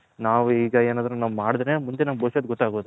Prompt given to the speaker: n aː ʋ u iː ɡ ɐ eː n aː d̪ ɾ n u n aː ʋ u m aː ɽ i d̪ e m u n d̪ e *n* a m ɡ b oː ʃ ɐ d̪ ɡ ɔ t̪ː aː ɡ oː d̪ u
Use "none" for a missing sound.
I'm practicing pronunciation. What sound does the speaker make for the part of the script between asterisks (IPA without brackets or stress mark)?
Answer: n